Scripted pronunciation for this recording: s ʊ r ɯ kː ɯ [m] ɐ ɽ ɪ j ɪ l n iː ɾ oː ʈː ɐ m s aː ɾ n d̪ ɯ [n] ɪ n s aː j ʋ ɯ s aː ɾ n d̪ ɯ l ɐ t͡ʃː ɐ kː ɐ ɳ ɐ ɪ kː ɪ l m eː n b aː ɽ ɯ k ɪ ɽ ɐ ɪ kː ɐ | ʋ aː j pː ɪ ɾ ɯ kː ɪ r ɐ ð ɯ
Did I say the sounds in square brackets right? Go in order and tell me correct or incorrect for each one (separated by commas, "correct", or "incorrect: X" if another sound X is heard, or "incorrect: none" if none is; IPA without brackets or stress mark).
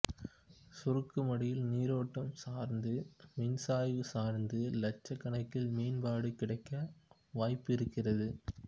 correct, incorrect: m